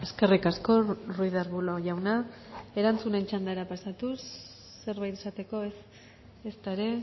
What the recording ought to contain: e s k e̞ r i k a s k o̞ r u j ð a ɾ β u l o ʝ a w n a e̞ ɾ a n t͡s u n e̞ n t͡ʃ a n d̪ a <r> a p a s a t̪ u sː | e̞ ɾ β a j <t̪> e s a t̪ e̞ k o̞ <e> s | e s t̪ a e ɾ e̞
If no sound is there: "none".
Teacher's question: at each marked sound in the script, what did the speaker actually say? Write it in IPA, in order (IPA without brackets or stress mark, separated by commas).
ɾ, t̪, e